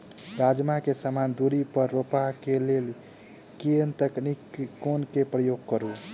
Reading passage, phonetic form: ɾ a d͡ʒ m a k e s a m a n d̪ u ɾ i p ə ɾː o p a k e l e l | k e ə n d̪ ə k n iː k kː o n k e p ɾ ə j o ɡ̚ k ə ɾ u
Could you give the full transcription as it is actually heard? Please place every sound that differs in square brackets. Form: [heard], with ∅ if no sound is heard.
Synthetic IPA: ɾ a d͡ʒ m a k e s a m a n d̪ u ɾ i p ə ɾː o p a k e l e l | k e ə n [t̪] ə k n [i] k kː o n k e p ɾ ə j o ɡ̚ k ə ɾ u